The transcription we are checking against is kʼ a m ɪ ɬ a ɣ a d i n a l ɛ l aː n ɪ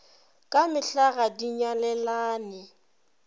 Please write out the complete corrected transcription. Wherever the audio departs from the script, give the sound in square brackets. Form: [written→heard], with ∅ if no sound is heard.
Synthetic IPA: kʼ a m ɪ ɬ a ɣ a d i [n→ɲ] a l ɛ l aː n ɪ